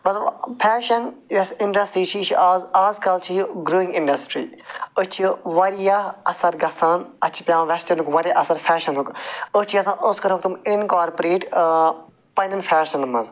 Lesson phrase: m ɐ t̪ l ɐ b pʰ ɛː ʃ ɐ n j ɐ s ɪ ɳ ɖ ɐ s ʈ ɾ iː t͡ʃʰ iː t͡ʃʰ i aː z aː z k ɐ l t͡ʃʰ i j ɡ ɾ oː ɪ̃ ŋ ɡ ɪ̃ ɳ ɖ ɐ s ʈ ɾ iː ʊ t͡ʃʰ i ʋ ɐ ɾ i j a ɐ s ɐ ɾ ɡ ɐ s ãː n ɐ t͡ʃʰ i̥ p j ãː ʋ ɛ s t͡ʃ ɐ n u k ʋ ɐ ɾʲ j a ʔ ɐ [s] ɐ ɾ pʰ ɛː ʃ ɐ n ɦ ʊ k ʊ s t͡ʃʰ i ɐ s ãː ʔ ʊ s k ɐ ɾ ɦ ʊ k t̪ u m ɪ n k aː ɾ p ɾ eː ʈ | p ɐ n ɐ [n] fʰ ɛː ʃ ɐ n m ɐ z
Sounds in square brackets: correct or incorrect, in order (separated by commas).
correct, correct